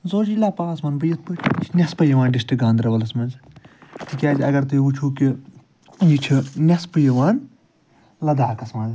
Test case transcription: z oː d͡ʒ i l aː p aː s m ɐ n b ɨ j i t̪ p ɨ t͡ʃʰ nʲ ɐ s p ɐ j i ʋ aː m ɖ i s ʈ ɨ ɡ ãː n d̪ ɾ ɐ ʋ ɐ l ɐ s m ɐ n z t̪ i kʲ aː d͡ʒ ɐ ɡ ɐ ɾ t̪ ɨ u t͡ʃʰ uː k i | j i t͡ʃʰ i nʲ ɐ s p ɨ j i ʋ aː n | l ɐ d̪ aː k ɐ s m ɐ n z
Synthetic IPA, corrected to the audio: z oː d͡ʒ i l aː p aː s m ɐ n b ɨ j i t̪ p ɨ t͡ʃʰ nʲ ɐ s p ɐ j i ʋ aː n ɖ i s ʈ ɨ ɡ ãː n d̪ ɾ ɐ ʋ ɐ l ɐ s m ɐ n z t̪ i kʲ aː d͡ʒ ɐ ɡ ɐ ɾ t̪ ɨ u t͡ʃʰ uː k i | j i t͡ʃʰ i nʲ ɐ s p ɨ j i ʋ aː n | l ɐ d̪ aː k ɐ s m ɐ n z